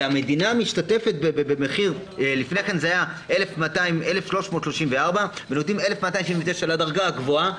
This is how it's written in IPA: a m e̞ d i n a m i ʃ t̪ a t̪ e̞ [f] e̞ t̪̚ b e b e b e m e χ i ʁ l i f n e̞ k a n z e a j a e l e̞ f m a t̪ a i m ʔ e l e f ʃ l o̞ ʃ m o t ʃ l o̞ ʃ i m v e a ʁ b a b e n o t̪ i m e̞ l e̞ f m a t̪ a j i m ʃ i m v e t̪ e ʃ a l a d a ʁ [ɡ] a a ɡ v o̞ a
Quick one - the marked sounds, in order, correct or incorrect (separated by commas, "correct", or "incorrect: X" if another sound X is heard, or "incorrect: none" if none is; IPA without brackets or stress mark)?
correct, correct